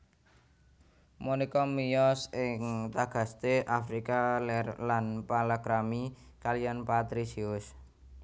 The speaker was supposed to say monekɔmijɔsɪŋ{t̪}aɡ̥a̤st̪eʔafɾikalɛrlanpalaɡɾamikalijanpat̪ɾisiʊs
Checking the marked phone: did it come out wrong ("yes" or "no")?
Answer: no